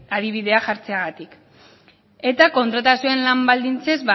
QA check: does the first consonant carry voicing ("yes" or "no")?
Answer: yes